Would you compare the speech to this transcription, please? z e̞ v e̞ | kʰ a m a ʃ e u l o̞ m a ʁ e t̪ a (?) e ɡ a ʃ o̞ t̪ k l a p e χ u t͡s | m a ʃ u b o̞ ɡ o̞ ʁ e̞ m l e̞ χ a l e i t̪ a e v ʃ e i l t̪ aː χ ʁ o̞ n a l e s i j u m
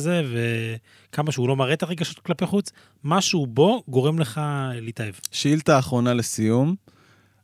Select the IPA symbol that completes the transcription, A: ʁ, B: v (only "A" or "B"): A